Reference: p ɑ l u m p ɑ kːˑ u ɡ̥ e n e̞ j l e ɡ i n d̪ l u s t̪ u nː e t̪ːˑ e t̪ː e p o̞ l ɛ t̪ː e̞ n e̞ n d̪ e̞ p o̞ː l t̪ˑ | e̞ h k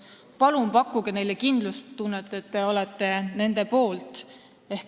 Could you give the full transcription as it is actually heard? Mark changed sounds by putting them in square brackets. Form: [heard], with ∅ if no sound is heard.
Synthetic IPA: p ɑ l u m p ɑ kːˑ u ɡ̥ e n e̞ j l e [k] i n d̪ l u s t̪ u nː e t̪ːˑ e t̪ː e [∅] o̞ l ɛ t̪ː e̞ n e̞ n d̪ e̞ p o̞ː l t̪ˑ | e̞ h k

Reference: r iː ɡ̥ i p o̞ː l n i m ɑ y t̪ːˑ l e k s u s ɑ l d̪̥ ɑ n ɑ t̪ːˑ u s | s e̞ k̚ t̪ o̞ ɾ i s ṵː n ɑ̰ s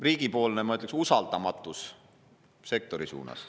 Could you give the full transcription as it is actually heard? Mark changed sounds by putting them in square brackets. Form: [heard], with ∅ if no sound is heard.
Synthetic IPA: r iː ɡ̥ i p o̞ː l n [e] m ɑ y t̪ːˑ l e k s u s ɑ l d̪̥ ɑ [m] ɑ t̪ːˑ u s | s e̞ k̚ t̪ o̞ ɾ i s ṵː n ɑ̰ s

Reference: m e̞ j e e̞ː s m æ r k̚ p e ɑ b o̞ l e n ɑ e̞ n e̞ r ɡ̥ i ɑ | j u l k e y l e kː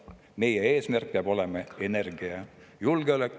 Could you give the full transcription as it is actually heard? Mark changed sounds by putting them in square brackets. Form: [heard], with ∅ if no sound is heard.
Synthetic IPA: m e̞ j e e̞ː s m æ r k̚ p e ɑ b o̞ l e [m] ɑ e̞ n e̞ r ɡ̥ i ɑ | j u l [ɡ] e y l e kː

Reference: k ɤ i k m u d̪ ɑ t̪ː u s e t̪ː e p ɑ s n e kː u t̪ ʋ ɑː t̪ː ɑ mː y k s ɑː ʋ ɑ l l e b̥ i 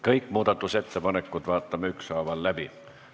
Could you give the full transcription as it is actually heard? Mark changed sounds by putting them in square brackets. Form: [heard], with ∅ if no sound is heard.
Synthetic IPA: k ɤ i k m [uː] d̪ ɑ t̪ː u s e t̪ː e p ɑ [∅] n e kː u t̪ ʋ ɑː t̪ː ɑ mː y k s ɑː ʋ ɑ l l [æ] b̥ i

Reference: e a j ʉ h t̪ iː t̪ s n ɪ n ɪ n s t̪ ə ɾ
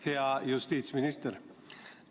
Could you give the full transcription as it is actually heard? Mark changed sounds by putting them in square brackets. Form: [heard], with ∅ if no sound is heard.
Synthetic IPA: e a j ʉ [s] t̪ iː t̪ s [m] ɪ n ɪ [∅] s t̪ ə ɾ

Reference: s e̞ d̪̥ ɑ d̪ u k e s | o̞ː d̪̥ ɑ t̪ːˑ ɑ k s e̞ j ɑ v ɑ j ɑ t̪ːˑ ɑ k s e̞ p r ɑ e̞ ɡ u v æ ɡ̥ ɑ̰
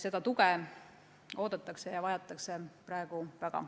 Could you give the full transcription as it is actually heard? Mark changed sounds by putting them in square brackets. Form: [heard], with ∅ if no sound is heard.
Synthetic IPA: s e̞ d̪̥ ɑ [t̪] u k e [∅] | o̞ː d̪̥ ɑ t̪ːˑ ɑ k s e̞ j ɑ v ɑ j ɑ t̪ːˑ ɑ k s e̞ p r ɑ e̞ ɡ u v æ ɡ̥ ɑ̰

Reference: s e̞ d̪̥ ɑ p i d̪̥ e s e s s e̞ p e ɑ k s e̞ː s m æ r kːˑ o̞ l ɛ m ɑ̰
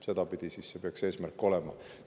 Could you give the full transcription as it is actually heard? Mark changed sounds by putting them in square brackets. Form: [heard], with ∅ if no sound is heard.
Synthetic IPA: s e̞ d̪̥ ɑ p i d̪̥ [i] s [i] s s e̞ p e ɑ k s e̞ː s m æ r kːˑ o̞ l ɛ m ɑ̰

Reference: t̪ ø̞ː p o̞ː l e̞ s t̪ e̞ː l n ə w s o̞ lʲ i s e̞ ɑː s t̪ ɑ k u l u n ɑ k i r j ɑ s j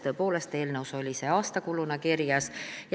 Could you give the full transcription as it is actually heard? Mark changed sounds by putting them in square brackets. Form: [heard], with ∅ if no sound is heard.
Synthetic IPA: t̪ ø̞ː p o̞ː l e̞ s t̪ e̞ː l n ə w s o̞ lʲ i s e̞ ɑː s t̪ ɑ k u l u n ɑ k i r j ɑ s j

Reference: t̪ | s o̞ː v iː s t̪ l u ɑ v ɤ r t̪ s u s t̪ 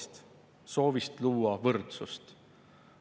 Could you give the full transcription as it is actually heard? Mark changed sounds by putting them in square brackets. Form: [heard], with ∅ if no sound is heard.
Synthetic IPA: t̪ | s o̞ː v [i] s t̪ l [uː] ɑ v ɤ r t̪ s u s t̪

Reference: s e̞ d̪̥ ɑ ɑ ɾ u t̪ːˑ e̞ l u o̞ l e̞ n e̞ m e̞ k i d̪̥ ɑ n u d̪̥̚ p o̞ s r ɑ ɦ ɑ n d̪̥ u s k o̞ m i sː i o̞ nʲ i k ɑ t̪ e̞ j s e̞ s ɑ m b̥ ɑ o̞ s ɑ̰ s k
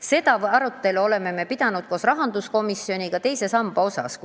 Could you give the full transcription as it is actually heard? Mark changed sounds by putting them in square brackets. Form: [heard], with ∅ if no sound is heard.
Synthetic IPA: s e̞ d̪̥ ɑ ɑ ɾ u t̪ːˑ e̞ l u o̞ l e̞ [m] e̞ m e̞ [p] i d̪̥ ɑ n u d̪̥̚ [k] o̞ s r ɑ ɦ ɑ n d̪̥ u s k o̞ m i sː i o̞ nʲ i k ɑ t̪ e̞ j s e̞ s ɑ m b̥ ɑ o̞ s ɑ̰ s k

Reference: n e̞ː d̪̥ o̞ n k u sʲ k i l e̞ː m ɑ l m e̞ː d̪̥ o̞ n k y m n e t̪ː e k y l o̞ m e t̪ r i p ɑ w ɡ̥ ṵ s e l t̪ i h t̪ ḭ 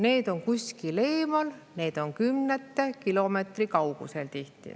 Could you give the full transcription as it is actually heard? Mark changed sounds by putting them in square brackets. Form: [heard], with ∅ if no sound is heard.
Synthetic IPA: n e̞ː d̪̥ o̞ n k u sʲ k i l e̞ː m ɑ l [n] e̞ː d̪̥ o̞ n k y m n e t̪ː e k [i] l o̞ m e t̪ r i [k] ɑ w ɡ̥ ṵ s e l t̪ i h t̪ ḭ

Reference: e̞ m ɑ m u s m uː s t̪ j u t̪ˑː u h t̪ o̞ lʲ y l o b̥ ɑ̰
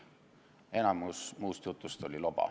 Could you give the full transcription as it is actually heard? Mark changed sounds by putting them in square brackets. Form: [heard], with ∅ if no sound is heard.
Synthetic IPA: e̞ [n] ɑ m u s m uː s t̪ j u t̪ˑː u [s] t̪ o̞ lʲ [i] l o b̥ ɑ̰

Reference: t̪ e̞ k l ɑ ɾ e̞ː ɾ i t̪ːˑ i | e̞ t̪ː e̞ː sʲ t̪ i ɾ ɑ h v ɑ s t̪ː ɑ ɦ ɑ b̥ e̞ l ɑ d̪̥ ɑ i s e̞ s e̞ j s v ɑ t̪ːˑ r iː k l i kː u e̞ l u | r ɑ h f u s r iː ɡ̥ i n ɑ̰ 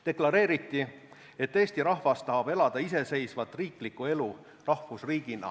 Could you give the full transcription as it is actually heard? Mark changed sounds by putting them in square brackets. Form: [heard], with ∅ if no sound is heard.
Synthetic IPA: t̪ e̞ k l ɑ ɾ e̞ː ɾ i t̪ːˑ i | e̞ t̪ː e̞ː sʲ t̪ i ɾ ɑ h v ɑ s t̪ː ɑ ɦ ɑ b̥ e̞ l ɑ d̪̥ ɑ i s e̞ s e̞ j s v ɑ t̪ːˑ r iː k l i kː u e̞ l u | r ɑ h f u s r iː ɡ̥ i n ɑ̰

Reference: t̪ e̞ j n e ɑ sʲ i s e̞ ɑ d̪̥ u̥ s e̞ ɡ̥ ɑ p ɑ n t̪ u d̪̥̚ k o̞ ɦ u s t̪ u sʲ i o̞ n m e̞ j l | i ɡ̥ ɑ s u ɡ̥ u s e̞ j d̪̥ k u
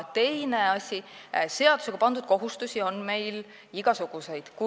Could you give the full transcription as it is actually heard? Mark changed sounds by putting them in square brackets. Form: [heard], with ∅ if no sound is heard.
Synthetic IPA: t̪ e̞ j n e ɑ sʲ i s e̞ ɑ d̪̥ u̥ s e̞ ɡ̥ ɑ p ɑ n [d̪] u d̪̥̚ k o̞ ɦ u s t̪ u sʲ i o̞ n m e̞ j l | i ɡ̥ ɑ s u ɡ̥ u s e̞ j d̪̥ k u

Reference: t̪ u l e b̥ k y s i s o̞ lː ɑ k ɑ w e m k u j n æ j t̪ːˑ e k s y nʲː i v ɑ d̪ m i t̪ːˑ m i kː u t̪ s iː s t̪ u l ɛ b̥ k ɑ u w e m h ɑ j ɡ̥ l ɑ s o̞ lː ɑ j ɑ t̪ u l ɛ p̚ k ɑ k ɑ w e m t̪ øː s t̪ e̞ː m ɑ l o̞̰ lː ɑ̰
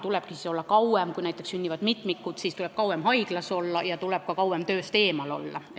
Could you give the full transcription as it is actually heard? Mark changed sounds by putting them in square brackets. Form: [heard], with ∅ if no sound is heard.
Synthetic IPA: t̪ u l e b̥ k [i] s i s o̞ lː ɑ k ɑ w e m k u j n æ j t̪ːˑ e k s y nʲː i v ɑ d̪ m i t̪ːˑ m i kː u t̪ s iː s t̪ u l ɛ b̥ k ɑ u w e m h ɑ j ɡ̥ l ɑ s o̞ lː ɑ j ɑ t̪ u l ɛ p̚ k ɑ k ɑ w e m t̪ øː s t̪ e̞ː m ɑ l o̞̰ lː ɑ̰

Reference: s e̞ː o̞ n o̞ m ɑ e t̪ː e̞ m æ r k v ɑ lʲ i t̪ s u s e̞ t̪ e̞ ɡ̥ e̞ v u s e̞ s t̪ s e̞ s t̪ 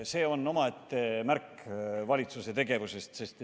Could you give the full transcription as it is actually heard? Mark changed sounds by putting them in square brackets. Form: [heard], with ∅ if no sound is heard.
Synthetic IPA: s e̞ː o̞ n o̞ m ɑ e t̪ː e̞ m æ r k v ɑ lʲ i t̪ s u s e̞ t̪ e̞ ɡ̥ e̞ v u s e̞ s t̪ s e̞ s t̪

